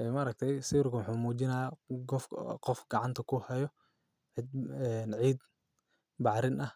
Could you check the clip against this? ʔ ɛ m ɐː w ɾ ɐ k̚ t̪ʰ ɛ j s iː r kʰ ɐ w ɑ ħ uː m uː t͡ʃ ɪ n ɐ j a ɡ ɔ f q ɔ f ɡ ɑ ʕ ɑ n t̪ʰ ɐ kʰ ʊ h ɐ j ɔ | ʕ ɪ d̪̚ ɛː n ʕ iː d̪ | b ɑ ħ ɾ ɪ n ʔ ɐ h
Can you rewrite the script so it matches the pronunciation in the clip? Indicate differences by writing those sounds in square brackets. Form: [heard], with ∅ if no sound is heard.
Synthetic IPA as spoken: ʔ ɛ m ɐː [∅] ɾ ɐ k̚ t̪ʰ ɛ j s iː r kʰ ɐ w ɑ ħ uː m uː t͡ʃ ɪ n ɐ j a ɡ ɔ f q ɔ f ɡ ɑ ʕ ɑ n t̪ʰ ɐ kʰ ʊ h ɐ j ɔ | ʕ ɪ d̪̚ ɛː n ʕ iː d̪ | b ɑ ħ ɾ ɪ n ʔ ɐ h